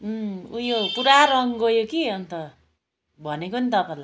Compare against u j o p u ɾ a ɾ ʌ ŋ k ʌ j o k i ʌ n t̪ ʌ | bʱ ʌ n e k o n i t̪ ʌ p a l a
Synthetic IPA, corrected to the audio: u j o p u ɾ a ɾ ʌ ŋ ɡ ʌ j o k i ʌ n t̪ ʌ | bʱ ʌ n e k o n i t̪ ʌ p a l a